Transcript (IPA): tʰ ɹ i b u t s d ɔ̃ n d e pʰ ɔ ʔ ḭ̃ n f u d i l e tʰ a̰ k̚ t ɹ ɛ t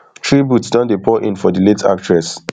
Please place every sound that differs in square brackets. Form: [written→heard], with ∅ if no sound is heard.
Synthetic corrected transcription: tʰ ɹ i b u t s d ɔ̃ n d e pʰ ɔ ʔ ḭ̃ n f [u→ɔ] d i l e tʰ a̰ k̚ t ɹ ɛ [t→s]